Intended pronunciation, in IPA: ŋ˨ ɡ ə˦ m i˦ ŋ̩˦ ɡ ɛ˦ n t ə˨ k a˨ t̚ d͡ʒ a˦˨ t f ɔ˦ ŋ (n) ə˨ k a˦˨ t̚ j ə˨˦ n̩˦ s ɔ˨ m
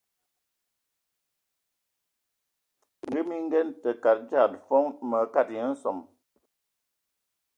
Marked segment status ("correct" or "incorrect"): incorrect